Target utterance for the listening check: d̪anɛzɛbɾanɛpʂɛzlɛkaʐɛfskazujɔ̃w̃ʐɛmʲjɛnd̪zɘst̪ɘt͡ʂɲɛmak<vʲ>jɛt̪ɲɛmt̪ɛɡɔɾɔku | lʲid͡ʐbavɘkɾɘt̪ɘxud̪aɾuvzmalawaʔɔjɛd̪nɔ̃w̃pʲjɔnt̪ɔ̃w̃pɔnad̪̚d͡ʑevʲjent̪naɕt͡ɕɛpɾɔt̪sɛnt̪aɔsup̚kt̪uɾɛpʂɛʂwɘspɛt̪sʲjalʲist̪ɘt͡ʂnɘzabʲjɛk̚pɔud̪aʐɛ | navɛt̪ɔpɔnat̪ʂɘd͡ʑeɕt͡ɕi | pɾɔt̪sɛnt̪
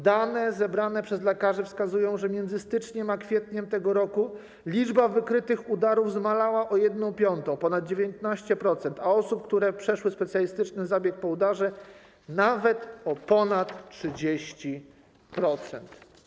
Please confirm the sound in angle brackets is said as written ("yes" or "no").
no